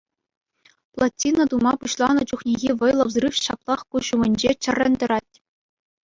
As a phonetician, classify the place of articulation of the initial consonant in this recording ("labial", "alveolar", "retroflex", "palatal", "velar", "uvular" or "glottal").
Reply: labial